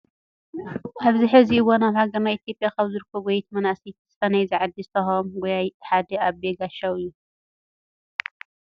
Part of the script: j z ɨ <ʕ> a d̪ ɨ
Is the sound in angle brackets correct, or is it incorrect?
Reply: correct